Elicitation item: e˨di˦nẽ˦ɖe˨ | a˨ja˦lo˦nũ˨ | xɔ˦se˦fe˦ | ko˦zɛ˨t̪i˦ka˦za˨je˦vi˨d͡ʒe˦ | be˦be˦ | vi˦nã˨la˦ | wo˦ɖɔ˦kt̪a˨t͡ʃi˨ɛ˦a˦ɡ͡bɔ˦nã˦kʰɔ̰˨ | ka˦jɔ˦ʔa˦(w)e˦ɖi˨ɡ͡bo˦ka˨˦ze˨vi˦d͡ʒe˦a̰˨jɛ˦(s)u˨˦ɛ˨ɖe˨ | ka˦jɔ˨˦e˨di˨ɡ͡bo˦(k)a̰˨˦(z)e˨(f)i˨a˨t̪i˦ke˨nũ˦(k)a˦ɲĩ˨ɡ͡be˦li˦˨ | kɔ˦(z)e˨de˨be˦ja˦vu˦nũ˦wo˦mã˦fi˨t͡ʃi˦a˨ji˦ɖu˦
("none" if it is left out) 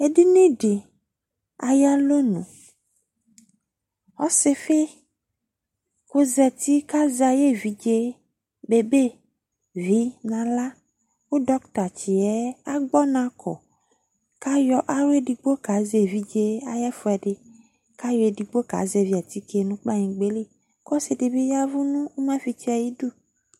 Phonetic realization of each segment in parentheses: w, f, k, z, v, k͡p, s

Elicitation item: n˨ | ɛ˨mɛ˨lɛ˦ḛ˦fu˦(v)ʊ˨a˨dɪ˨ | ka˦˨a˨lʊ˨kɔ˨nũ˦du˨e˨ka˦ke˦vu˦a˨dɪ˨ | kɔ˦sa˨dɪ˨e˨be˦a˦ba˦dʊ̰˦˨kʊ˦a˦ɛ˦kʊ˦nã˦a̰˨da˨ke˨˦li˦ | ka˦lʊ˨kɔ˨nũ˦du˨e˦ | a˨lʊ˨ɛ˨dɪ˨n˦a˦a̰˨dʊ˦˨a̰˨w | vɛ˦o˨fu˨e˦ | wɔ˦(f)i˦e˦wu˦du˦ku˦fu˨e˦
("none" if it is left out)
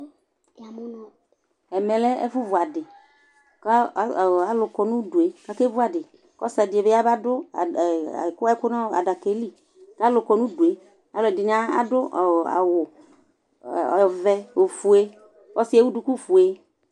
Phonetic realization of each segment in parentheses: v, s

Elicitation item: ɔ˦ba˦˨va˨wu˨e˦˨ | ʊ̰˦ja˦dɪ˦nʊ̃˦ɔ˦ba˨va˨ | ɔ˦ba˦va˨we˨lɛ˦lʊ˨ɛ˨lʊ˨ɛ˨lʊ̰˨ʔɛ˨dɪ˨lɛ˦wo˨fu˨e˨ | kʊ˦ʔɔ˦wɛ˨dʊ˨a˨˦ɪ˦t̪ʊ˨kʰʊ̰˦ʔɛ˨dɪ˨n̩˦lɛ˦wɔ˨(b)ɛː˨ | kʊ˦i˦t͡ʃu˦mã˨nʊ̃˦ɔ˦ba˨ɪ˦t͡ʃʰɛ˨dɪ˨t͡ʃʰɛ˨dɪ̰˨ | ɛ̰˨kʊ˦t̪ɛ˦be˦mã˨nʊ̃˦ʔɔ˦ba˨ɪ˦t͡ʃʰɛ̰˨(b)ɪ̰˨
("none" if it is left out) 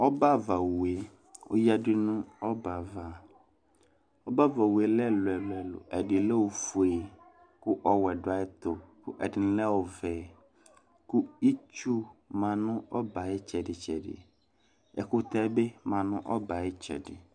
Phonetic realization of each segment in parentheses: v, d

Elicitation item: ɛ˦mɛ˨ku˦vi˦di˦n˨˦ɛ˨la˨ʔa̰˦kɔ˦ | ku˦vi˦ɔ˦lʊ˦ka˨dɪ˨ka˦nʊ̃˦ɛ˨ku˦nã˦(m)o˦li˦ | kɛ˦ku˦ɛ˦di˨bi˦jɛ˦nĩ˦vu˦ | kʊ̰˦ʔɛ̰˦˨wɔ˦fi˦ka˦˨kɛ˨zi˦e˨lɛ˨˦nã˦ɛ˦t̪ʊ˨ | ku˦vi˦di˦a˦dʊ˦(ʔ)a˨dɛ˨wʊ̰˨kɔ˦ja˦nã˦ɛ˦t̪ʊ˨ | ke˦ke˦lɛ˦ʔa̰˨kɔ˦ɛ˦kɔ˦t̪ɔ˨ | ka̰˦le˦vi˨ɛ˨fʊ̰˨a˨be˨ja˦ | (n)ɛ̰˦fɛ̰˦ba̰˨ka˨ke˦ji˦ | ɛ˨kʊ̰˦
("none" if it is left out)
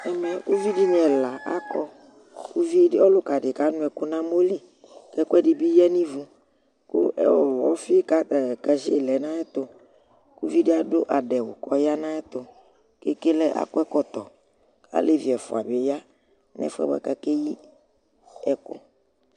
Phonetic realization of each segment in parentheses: m, ʔ, n

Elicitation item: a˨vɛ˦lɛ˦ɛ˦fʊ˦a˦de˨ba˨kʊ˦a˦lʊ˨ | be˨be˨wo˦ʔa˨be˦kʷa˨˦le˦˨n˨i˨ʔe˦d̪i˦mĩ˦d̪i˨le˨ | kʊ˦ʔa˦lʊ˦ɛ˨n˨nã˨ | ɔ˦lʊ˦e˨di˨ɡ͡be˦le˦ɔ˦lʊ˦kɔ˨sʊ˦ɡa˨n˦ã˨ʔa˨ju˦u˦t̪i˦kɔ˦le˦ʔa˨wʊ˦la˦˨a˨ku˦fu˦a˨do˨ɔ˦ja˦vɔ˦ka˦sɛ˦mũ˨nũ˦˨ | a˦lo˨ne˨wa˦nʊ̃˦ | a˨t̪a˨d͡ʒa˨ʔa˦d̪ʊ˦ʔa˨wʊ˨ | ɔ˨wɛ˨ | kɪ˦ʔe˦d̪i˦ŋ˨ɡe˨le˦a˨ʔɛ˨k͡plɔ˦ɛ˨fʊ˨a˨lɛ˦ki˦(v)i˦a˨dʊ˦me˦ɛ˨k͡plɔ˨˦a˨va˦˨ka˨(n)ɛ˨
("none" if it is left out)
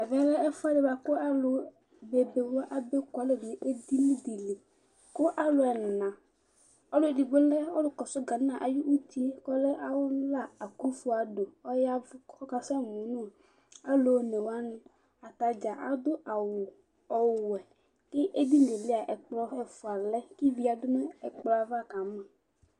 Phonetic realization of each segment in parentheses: v, m

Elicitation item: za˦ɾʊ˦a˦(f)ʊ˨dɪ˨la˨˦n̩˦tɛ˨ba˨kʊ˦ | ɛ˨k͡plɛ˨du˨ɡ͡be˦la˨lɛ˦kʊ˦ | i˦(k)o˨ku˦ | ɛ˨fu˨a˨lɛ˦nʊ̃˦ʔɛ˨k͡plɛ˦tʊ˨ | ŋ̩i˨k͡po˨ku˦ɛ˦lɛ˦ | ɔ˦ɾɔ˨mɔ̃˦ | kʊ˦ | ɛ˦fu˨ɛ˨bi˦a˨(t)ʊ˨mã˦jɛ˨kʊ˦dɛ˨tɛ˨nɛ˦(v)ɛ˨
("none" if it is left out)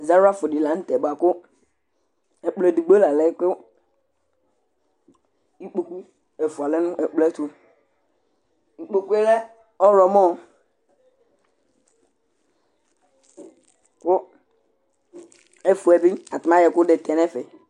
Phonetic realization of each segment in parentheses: f, k͡p, t, f

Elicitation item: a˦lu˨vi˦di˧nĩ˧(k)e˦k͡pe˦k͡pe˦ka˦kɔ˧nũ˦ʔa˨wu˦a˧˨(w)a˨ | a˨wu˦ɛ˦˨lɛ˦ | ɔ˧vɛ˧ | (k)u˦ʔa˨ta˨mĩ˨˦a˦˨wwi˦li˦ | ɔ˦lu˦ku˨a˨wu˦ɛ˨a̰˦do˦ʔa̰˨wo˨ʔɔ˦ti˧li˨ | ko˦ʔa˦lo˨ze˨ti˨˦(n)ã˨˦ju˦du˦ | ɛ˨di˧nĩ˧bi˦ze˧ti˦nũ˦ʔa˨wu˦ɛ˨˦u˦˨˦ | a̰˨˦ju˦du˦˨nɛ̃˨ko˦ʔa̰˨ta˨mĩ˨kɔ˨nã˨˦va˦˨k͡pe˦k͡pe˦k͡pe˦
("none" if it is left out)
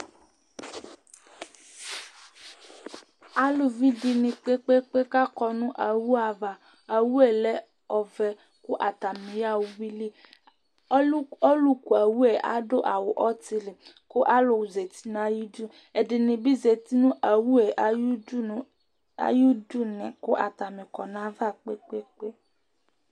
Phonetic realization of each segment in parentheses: k͡p, v, k, n

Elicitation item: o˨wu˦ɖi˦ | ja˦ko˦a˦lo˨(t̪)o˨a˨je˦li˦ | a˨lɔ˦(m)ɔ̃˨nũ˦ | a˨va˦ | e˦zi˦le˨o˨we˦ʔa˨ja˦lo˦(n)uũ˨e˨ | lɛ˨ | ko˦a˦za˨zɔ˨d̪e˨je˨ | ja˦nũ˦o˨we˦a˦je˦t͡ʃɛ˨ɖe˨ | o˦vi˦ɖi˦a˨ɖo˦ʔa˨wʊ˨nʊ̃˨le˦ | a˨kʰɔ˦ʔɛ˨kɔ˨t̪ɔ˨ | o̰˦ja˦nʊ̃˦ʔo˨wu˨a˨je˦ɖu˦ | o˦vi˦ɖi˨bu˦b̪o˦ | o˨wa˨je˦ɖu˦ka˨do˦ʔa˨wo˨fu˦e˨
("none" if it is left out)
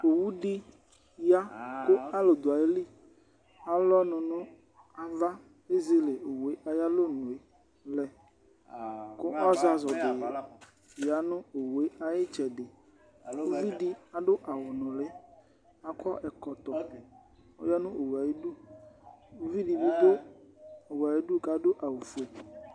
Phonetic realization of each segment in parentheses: d̪, n, n

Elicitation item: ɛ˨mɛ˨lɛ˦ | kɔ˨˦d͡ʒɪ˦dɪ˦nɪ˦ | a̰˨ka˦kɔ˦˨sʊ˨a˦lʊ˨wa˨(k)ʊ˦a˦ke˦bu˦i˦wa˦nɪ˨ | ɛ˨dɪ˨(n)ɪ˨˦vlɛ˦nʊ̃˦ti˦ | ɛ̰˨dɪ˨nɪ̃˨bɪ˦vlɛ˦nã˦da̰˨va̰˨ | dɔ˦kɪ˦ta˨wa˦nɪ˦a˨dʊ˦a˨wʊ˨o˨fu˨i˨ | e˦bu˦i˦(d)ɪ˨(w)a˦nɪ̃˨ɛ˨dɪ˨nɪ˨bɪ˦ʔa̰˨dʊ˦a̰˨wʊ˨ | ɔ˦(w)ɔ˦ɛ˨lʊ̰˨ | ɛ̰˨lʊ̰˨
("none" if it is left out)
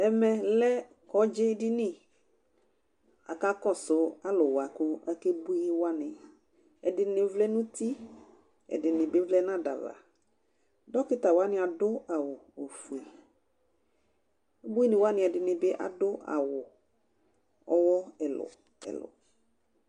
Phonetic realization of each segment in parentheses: k, n, n, w, w

